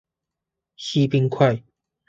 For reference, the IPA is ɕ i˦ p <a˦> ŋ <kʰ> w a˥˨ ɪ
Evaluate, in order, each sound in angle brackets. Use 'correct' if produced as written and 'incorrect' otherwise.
incorrect: i˦, correct

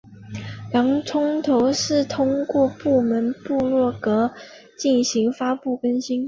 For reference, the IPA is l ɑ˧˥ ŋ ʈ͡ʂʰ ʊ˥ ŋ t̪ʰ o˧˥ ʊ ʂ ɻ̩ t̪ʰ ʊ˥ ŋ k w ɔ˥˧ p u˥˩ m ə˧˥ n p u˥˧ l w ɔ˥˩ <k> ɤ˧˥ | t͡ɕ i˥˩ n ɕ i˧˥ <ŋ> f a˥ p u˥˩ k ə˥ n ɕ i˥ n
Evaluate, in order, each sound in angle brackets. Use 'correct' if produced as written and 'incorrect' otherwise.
correct, correct

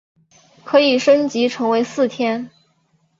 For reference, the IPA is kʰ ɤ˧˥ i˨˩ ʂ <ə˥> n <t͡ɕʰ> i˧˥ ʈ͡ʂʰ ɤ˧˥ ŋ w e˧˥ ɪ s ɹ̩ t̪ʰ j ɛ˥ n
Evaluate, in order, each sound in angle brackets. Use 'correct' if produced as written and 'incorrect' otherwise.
correct, incorrect: t͡ɕ

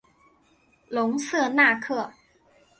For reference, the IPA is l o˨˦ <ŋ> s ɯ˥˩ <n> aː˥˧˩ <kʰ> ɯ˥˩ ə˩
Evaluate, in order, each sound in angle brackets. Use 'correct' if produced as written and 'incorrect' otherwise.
correct, correct, correct

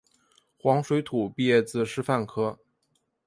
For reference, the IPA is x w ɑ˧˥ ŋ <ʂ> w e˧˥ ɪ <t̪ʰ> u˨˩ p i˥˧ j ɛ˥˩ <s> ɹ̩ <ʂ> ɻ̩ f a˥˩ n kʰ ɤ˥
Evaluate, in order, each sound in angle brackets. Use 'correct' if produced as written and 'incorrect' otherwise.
correct, correct, incorrect: t͡s, correct

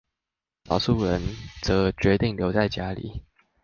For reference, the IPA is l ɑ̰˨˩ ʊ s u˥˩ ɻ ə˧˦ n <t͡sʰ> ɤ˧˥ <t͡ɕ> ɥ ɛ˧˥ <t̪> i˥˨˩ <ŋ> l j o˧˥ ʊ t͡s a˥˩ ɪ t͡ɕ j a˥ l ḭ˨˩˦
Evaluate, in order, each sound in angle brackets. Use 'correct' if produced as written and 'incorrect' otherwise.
incorrect: t͡s, correct, correct, correct

